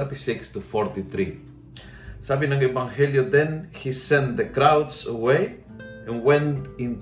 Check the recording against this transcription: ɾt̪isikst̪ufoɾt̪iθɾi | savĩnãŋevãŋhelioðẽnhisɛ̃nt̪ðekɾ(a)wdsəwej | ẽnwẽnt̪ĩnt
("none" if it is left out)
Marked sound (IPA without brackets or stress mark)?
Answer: a